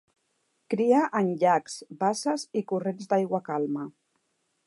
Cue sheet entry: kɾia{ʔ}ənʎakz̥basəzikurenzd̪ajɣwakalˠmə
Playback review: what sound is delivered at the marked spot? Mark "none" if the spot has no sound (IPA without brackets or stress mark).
ʔ